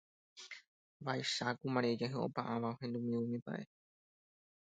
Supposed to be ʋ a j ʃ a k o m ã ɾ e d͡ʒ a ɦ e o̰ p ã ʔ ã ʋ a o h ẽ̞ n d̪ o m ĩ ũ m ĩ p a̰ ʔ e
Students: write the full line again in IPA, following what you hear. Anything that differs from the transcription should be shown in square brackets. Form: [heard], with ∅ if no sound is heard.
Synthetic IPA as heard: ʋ a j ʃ a k [u] m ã ɾ e d͡ʒ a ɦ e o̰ p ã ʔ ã ʋ a o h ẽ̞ n d̪ [u] m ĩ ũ m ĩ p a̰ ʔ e